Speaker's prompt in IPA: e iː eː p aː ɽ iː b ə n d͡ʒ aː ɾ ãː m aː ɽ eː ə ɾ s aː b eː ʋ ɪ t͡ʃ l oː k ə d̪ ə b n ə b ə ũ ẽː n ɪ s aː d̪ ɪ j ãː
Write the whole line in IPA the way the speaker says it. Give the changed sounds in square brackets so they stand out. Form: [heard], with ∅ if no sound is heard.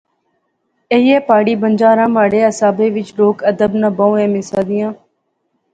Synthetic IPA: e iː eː p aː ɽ iː b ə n d͡ʒ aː ɾ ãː m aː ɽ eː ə [∅] s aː b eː ʋ ɪ t͡ʃ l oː k ə d̪ ə b n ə b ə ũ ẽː [m] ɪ s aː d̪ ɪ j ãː

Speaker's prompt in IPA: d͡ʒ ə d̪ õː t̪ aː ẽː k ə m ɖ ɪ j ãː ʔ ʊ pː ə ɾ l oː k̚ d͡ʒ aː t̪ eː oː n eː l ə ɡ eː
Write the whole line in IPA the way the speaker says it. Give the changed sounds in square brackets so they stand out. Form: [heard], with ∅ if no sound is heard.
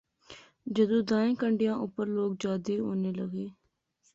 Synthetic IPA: d͡ʒ ə d̪ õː [d̪] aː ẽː k ə [ɳ] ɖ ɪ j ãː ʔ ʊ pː ə ɾ l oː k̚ d͡ʒ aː [d̪] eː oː n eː l ə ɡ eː

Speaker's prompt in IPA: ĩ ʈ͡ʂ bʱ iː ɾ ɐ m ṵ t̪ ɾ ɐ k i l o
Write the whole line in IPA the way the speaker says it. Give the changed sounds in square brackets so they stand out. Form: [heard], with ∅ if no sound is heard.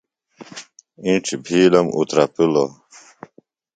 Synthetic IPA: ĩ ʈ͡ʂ bʱ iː [l] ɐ m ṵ t̪ ɾ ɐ [p] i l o

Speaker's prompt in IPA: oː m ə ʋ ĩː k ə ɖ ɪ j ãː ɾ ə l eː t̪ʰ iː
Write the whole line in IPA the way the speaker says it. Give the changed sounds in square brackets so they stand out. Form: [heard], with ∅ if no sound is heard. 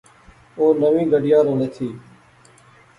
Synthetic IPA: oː [n] ə ʋ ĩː [ɡ] ə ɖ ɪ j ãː ɾ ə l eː t̪ʰ iː

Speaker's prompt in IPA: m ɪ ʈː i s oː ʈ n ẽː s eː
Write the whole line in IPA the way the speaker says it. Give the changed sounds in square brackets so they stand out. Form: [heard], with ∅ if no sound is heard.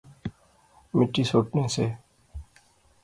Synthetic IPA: m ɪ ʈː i s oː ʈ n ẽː s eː

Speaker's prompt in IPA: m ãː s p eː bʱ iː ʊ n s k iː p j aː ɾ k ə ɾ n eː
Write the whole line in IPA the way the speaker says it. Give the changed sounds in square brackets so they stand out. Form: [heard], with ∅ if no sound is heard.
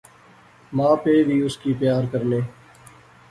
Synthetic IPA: m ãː [∅] p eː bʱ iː ʊ [∅] s k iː p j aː ɾ k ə ɾ n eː

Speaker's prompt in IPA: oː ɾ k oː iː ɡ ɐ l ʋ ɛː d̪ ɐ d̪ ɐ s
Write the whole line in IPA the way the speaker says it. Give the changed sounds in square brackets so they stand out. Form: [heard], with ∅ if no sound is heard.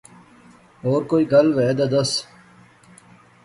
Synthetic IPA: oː ɾ k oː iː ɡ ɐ l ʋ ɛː d̪ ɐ d̪ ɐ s

